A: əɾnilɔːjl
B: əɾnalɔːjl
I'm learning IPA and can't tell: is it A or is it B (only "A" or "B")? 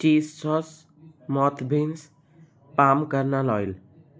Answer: B